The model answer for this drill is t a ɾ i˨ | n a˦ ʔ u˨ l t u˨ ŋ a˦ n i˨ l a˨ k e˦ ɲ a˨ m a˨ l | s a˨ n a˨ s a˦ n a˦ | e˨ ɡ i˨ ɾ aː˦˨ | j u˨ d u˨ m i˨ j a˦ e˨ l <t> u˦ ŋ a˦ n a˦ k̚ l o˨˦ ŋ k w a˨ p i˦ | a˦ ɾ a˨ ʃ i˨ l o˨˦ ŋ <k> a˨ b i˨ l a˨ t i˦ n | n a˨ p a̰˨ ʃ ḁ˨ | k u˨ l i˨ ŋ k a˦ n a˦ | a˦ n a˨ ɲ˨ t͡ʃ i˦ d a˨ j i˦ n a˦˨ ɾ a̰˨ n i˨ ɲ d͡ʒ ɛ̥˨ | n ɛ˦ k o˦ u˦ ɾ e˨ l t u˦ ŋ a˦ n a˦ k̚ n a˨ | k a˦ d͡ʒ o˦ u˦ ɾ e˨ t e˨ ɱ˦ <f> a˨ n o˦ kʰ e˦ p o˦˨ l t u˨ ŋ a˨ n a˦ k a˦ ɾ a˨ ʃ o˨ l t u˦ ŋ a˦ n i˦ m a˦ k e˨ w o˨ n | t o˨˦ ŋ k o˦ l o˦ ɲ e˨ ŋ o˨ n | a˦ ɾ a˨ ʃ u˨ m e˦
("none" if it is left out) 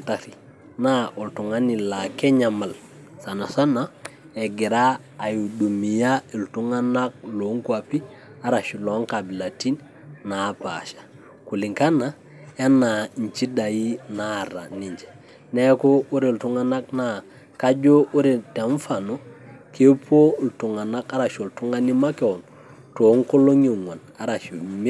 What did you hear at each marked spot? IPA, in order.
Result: t, k, f

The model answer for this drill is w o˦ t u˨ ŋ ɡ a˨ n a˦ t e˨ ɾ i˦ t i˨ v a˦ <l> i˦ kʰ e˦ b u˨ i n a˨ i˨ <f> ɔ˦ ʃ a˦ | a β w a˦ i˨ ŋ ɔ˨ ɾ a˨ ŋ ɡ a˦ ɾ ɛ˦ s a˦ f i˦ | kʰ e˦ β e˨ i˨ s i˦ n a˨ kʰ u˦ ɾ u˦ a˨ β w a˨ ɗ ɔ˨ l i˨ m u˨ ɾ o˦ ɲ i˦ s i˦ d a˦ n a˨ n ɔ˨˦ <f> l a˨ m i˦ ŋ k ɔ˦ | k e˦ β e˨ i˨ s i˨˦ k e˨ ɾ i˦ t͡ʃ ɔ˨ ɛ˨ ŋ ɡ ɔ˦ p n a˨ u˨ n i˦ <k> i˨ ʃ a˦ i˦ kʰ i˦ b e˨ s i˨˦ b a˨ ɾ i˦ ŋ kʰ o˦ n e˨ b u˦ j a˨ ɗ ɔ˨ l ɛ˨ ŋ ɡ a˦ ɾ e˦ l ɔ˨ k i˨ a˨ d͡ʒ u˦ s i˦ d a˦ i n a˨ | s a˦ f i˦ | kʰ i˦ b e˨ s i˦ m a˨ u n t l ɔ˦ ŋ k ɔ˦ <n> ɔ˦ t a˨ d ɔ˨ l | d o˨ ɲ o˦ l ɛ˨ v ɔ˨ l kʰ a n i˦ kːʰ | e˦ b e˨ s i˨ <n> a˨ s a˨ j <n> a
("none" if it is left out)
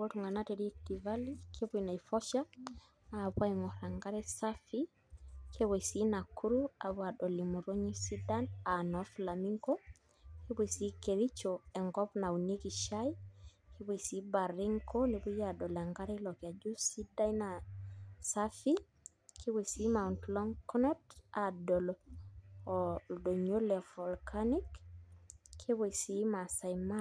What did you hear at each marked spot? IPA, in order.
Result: l, f, f, k, n, m, m

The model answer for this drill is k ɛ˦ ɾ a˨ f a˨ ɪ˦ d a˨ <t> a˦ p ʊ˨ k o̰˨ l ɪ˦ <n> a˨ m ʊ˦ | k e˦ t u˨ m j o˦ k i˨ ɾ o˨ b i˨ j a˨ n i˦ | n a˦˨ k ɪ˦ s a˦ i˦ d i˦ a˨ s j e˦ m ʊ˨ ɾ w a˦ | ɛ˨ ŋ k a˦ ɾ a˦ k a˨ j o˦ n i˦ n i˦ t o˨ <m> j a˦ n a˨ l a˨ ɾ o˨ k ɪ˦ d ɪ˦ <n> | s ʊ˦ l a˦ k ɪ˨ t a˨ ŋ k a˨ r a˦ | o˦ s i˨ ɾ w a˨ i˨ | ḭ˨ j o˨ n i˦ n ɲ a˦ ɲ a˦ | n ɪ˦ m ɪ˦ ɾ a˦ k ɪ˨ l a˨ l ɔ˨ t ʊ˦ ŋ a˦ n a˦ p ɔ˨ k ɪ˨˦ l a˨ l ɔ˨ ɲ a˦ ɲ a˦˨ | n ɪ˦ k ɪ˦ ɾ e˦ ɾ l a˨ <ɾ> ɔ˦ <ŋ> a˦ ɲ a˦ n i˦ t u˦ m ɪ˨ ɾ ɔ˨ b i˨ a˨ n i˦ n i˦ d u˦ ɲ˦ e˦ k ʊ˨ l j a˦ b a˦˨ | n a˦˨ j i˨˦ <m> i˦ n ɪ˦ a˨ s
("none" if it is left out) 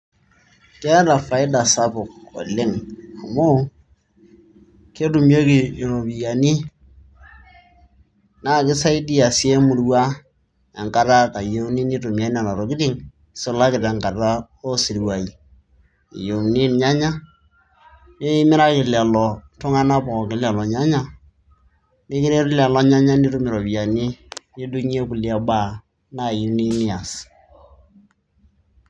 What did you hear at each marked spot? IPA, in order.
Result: s, ŋ, m, ŋ, l, ɲ, n

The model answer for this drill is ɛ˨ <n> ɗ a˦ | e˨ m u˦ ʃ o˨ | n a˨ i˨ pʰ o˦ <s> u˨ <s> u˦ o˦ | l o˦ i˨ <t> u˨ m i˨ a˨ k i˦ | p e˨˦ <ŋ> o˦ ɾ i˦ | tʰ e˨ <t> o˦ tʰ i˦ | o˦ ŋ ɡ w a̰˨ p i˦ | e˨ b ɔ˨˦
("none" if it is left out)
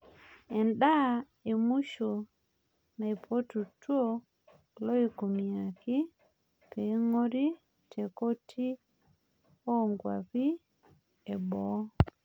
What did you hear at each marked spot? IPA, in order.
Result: n, t, t, k, ŋ, k

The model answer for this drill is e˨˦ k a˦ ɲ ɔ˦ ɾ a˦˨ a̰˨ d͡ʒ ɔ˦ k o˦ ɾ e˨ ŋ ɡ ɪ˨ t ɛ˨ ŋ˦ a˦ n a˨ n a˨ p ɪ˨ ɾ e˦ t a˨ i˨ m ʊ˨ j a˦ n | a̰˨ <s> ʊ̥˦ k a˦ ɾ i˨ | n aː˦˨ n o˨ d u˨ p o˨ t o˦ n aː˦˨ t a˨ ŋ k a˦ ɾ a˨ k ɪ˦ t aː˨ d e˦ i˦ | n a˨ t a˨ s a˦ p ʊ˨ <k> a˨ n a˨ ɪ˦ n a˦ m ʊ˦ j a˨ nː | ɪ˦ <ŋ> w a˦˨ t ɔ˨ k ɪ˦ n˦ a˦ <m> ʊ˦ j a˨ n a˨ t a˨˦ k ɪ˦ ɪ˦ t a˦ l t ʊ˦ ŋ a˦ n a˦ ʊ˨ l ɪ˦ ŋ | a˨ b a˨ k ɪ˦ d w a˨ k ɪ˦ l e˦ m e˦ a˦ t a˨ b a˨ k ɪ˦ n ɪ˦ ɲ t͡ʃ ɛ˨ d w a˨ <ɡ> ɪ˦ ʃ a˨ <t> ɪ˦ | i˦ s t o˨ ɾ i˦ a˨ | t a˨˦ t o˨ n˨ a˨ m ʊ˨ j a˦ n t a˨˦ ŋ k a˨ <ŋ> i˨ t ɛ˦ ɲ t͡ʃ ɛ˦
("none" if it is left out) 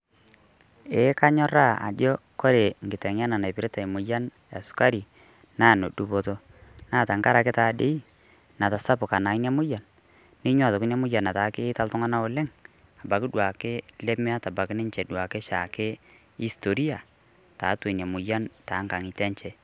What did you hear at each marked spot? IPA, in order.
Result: s, k, ɲ, m, k, k, ŋ

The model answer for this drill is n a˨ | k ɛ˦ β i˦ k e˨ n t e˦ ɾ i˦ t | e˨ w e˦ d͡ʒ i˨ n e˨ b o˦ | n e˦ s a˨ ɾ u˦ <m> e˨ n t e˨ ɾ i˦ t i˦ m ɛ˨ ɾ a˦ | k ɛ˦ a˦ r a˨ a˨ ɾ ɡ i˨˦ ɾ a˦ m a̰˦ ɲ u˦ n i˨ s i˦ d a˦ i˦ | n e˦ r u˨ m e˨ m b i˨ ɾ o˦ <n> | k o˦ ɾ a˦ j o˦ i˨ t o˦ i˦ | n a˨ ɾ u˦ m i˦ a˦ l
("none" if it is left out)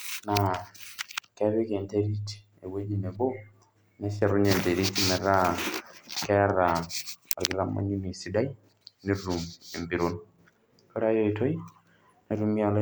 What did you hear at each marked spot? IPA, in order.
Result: ɲ, n

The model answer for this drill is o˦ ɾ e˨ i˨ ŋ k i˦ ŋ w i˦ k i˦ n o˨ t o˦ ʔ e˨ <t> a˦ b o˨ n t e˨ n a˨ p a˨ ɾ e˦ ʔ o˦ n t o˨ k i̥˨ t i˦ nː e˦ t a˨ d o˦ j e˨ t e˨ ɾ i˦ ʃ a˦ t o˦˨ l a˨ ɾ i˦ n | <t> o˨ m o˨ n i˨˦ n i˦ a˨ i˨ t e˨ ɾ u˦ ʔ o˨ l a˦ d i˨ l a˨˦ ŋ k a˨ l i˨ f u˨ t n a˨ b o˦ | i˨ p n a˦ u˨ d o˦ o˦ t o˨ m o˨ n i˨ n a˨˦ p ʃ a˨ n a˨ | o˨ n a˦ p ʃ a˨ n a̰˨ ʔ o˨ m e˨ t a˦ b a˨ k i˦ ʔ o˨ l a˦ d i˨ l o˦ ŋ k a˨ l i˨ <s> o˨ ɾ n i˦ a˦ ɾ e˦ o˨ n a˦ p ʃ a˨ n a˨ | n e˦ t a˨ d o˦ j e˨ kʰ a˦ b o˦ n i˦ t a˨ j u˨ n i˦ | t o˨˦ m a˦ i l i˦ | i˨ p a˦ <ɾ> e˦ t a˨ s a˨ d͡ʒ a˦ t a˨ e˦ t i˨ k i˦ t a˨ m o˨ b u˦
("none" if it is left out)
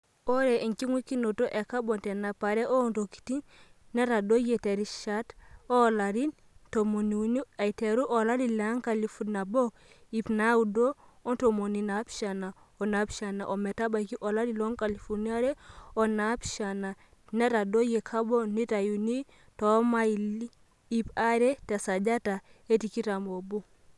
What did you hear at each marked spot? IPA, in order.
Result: k, t, f, ɾ

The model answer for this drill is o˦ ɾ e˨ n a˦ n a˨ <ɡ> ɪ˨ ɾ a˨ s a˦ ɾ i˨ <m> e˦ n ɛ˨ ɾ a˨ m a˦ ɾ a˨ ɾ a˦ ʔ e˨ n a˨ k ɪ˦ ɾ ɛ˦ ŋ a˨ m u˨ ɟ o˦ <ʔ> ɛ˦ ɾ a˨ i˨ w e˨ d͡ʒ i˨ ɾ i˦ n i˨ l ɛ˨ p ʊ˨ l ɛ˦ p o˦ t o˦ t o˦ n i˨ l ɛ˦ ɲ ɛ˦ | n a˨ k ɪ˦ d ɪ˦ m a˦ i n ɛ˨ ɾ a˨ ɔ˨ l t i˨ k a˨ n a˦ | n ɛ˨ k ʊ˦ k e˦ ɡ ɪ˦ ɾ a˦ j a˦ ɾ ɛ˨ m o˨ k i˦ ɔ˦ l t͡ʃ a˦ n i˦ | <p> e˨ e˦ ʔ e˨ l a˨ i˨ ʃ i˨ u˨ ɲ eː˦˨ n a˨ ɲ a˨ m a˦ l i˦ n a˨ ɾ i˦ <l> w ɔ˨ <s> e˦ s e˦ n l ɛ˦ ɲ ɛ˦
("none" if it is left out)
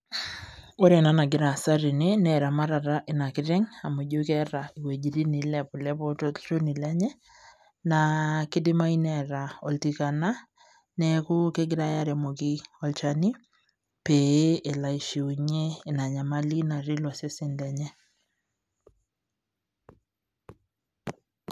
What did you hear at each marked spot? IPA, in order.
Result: ɡ, n, k, p, l, s

